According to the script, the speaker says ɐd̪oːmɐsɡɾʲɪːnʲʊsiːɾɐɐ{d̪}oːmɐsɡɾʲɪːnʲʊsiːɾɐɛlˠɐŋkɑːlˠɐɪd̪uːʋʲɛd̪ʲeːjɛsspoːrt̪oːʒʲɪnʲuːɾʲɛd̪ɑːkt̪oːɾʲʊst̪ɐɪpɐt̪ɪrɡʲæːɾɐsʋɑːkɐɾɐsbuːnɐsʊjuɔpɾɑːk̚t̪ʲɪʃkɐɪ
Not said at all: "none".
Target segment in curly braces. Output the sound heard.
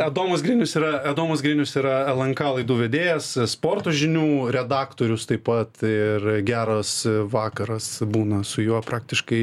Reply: d̪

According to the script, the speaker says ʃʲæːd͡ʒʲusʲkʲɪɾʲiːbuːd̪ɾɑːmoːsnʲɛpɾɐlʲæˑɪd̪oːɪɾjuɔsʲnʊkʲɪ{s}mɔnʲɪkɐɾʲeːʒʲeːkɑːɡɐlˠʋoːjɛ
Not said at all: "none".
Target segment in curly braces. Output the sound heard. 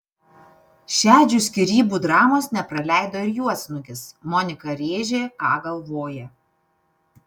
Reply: s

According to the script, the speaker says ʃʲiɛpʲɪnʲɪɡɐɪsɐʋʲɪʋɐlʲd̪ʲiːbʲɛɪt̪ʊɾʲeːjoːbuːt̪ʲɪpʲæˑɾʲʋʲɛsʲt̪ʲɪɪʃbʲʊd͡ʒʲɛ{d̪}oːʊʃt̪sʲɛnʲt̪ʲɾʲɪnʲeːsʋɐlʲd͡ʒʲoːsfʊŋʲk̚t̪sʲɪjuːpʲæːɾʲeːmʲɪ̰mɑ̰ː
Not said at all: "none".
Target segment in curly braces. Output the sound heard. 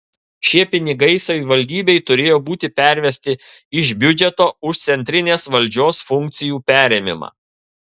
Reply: t̪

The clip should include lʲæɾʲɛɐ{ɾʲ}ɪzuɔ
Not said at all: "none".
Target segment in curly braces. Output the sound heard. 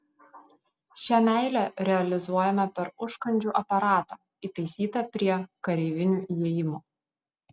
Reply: lʲ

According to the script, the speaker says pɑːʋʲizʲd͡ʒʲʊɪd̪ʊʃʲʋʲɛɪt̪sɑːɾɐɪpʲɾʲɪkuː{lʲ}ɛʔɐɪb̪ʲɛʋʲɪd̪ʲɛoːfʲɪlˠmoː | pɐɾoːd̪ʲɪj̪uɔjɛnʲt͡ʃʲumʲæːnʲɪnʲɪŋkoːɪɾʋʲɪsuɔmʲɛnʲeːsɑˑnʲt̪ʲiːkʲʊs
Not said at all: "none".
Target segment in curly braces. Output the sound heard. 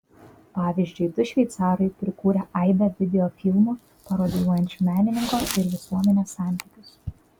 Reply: ɾʲ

